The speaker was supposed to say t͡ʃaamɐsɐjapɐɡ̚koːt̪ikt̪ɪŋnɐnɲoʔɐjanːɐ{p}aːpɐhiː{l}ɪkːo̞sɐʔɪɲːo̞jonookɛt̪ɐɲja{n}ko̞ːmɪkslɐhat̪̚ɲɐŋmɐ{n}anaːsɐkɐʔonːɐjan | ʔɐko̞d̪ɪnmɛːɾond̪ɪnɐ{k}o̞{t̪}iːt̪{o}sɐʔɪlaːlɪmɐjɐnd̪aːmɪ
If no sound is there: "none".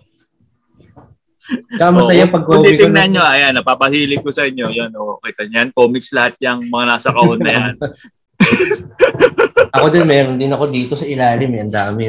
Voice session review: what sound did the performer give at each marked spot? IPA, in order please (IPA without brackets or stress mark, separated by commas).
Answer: p, l, n, ŋ, k, d̪, o